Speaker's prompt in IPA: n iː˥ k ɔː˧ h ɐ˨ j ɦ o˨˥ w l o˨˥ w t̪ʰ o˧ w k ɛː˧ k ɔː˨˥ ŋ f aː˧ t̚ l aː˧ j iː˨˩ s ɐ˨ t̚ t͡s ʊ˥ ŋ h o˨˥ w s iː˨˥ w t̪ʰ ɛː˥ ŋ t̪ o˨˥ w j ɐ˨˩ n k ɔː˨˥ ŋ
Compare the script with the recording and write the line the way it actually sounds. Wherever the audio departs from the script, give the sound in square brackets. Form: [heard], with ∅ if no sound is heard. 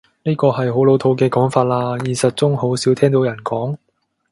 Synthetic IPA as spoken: n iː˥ k ɔː˧ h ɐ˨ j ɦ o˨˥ w l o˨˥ w t̪ʰ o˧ w k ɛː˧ k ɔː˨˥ ŋ f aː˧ t̚ l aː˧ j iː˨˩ s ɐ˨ t̚ t͡s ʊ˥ ŋ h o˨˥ w s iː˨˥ w t̪ʰ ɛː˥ ŋ t̪ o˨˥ w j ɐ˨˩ n k ɔː˨˥ ŋ

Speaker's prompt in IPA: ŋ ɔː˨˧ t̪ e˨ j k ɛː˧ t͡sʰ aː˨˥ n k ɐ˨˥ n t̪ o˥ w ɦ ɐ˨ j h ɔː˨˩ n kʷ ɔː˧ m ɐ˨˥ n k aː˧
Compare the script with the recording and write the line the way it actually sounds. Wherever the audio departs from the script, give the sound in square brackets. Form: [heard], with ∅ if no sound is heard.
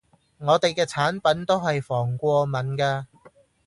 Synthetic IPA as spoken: ŋ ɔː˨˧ t̪ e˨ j k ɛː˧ t͡sʰ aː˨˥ n [p] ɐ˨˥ n t̪ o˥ w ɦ ɐ˨ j [f] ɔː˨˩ [ŋ] kʷ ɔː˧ m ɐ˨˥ n k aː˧

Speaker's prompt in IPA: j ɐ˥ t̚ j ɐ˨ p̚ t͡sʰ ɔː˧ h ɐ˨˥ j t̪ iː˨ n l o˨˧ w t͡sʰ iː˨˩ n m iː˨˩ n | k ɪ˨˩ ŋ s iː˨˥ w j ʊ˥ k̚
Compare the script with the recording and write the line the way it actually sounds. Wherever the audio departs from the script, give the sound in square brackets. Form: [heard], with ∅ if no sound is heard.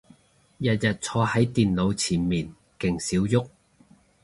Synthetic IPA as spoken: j [ɐ˨] t̚ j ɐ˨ [t̚] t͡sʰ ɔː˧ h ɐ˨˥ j t̪ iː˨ n l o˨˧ w t͡sʰ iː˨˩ n m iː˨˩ n | k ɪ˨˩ ŋ s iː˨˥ w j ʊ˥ k̚

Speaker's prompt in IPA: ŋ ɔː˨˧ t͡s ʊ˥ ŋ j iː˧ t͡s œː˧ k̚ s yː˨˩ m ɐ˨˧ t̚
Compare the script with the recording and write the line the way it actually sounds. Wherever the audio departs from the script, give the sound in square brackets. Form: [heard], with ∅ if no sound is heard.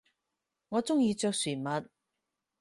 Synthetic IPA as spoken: ŋ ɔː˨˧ t͡s ʊ˥ ŋ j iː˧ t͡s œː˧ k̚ s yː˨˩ m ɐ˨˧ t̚

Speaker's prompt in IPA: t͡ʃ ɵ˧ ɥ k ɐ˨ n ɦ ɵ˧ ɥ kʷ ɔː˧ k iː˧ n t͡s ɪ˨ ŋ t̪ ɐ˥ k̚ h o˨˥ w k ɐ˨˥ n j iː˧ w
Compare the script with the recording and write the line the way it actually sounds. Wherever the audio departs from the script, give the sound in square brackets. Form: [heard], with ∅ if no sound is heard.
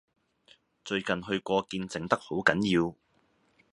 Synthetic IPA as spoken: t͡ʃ ɵ˧ ɥ k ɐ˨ n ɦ ɵ˧ ɥ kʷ ɔː˧ k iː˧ n t͡s ɪ˨ ŋ t̪ ɐ˥ k̚ h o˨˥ w k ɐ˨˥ n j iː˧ w

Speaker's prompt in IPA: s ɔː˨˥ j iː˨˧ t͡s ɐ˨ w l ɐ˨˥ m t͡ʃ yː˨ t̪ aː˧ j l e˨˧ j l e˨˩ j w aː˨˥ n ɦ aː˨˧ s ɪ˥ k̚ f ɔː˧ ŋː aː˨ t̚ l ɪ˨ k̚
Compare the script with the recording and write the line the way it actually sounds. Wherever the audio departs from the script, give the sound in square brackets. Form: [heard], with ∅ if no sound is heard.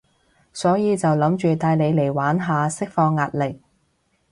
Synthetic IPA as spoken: s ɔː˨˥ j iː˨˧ t͡s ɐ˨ w l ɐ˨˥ m t͡ʃ yː˨ t̪ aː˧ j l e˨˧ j l e˨˩ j w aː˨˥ n ɦ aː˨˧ s ɪ˥ k̚ f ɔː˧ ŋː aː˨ t̚ l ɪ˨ k̚

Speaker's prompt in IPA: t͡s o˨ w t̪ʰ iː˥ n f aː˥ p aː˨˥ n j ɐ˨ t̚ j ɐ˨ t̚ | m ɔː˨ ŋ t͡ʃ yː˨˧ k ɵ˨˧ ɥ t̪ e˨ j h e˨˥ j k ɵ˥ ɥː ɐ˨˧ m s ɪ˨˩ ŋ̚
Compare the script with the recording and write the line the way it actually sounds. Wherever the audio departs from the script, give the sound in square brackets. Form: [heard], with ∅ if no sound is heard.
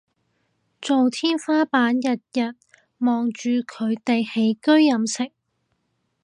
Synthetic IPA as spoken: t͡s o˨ w t̪ʰ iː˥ n f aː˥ p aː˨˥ n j ɐ˨ t̚ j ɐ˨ t̚ | m ɔː˨ ŋ t͡ʃ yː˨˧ [kʰ] ɵ˨˧ ɥ t̪ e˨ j h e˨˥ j k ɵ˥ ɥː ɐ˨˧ m s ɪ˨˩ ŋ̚

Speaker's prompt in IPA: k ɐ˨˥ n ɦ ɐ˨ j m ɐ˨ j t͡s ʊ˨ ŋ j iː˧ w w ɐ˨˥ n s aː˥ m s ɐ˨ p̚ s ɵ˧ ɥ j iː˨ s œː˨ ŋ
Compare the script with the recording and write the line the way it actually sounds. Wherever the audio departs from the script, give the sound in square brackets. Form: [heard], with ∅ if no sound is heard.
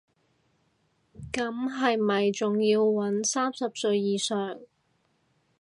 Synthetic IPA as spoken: k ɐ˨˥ [m] ɦ ɐ˨ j m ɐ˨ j t͡s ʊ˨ ŋ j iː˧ w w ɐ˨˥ n s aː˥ m s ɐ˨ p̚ s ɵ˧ ɥ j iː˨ s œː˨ ŋ

